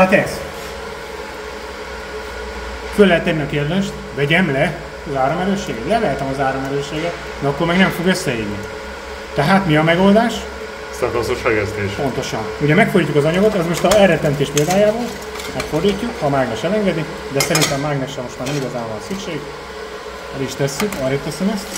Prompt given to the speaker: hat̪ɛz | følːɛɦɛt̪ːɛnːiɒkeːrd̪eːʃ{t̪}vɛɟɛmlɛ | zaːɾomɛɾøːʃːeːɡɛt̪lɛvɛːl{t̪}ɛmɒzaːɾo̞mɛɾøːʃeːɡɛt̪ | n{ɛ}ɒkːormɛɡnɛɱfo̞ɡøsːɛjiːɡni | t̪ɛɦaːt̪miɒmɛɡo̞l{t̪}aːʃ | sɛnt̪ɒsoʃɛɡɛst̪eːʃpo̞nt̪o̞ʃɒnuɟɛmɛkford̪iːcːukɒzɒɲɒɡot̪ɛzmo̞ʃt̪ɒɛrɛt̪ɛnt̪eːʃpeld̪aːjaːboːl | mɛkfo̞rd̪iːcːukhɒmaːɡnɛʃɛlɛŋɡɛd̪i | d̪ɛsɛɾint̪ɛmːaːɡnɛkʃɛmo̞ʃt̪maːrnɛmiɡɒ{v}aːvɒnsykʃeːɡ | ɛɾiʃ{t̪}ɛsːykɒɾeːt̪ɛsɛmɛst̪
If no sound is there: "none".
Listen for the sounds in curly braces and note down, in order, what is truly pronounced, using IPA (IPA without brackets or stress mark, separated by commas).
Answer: t̪, t̪, ɛ, d̪, z, t̪